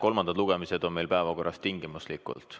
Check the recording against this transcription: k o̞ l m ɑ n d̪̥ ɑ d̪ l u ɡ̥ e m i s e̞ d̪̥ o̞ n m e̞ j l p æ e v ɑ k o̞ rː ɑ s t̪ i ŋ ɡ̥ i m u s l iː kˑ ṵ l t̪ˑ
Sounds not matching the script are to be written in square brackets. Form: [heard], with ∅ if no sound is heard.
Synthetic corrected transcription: k o̞ l m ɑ n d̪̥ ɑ d̪ l u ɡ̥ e m i s e̞ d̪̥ o̞ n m e̞ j l p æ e v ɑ k o̞ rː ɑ s t̪ i ŋ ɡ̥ i m u s l [i] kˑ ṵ l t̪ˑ